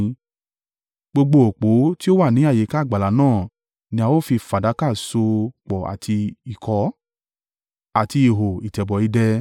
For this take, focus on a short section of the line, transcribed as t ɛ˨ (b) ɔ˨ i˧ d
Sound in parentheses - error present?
no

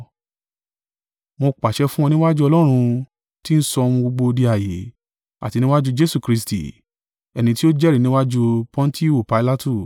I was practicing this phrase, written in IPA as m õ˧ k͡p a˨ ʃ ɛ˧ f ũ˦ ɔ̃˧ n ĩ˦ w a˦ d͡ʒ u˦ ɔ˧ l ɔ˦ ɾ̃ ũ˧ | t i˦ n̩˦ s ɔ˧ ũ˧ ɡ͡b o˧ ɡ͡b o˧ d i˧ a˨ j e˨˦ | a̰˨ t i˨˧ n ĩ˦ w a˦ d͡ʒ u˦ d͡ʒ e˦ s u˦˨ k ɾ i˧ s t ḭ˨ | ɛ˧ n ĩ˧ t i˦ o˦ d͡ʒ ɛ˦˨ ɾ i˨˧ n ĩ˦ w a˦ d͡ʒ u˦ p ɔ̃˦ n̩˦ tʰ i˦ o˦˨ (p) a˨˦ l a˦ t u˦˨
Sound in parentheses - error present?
no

